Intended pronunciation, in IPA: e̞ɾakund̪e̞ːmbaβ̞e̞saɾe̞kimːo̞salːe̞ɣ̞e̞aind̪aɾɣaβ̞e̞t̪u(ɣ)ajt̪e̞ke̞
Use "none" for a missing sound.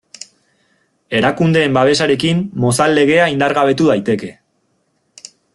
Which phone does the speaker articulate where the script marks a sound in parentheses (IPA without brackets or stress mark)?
ð